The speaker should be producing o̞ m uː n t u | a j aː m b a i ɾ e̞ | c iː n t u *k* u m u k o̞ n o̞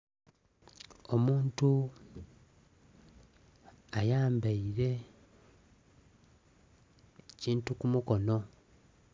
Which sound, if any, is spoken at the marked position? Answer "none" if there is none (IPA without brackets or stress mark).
k